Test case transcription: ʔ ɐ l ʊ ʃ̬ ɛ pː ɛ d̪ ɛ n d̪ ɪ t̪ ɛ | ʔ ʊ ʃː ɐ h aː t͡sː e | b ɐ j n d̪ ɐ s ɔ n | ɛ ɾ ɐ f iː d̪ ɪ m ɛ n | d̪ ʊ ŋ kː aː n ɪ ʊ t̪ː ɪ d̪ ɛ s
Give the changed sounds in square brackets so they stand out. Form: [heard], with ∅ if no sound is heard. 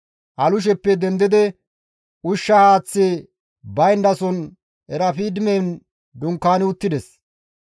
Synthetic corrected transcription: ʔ ɐ l ʊ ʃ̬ ɛ pː ɛ d̪ ɛ n d̪ ɪ [d̪] ɛ | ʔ ʊ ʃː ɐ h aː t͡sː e | b ɐ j n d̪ ɐ s ɔ n | ɛ ɾ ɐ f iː d̪ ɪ m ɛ n | d̪ ʊ ŋ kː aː n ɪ ʊ t̪ː ɪ d̪ ɛ s